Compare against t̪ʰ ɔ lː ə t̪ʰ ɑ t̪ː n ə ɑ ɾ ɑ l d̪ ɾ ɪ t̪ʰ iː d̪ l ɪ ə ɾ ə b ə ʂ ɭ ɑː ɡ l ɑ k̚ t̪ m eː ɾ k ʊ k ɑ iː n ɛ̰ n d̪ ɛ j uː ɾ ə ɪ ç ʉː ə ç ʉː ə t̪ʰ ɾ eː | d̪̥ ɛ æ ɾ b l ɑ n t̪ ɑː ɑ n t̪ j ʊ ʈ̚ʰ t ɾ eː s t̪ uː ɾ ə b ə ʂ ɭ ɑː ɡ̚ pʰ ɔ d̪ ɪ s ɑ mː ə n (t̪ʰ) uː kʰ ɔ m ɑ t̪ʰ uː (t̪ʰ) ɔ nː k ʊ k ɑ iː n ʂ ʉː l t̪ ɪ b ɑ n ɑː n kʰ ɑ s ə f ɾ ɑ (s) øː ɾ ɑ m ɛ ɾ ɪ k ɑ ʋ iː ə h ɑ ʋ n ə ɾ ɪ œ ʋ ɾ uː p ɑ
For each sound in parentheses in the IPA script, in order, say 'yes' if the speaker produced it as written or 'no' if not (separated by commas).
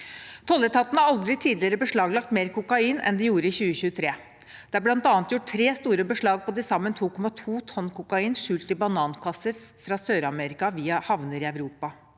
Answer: yes, yes, yes